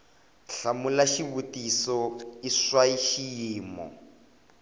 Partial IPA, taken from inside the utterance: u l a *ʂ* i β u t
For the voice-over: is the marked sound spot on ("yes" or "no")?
no